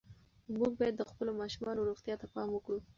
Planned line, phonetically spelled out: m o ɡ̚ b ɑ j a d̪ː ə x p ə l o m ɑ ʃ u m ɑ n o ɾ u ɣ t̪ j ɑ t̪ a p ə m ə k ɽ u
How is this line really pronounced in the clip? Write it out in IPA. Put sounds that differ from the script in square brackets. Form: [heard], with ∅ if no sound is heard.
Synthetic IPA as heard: m [u] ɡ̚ b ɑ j a d̪ː ə x p ə l o m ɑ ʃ u m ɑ n o ɾ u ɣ t̪ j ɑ t̪ a p [ɑ] m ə k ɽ u